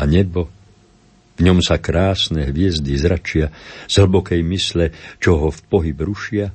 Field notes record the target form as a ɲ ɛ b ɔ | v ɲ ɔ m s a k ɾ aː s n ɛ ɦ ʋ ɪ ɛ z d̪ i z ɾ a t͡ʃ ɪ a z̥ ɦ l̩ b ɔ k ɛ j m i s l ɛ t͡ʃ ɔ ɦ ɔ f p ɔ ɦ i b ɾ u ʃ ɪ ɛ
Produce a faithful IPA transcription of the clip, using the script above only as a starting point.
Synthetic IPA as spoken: a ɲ ɛ b ɔ | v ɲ ɔ m s a k ɾ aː s n ɛ ɦ ʋ ɪ ɛ z d̪ i z ɾ a t͡ʃ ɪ a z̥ ɦ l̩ b ɔ k ɛ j m i s l ɛ t͡ʃ ɔ ɦ ɔ f p ɔ ɦ i b ɾ u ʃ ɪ a